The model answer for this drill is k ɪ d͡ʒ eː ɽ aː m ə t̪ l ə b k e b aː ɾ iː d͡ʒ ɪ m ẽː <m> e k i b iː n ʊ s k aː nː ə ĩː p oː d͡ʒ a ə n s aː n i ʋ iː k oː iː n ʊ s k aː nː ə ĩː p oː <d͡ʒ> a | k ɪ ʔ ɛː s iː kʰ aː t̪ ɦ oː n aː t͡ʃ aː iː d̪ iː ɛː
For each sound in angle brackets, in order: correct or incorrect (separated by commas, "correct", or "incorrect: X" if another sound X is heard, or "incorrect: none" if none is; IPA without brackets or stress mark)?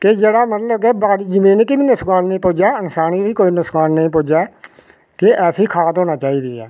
incorrect: n, correct